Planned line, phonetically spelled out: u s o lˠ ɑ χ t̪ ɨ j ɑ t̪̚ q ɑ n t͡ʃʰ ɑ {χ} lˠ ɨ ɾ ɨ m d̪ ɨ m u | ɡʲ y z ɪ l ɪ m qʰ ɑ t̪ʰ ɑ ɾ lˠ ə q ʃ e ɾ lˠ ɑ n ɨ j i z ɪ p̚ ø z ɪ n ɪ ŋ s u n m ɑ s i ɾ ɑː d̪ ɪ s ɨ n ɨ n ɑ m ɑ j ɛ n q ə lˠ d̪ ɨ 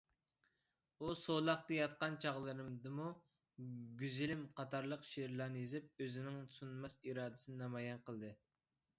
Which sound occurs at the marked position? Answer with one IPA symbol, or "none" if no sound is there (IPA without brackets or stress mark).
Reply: ʁ